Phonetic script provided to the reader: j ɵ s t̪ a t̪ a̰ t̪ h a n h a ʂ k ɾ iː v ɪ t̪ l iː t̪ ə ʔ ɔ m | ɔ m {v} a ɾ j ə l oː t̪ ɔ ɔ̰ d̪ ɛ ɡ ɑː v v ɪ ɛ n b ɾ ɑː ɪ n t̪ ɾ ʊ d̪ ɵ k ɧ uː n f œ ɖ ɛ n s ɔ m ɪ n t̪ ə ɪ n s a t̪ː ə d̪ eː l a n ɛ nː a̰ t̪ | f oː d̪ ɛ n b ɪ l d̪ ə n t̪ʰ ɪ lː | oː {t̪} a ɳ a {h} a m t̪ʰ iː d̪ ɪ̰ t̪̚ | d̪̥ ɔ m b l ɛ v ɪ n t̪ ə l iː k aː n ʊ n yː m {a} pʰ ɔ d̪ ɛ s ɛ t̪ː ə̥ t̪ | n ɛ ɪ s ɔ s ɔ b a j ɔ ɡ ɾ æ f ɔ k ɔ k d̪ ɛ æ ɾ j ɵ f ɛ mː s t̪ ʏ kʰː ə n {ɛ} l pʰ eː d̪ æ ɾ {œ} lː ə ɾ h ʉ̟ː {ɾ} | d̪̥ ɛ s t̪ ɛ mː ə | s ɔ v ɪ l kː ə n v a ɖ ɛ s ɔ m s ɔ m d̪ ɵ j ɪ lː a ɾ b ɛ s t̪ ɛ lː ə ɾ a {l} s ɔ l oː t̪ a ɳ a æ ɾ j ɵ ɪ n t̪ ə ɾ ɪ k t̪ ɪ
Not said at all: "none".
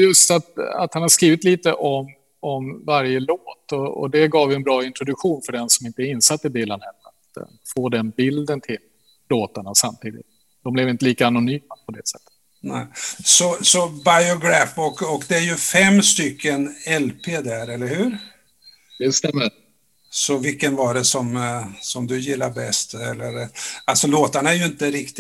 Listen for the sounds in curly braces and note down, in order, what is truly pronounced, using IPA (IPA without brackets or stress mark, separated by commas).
v, t̪, s, a, ɛ, ɛ, ɾ, l